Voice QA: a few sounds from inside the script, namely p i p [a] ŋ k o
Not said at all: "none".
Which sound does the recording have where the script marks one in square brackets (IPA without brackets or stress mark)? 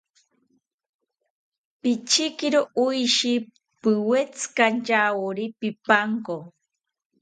a